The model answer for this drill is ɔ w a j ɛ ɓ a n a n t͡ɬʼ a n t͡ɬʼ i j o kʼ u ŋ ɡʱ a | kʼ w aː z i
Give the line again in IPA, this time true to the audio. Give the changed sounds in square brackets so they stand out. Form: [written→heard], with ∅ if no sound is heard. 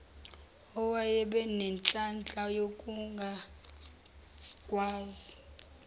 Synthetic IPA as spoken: ɔ w a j ɛ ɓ [a→ɛ] n [a→ɛ] n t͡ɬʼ a n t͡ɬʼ [i→a] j o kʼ u ŋ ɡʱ a | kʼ w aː z i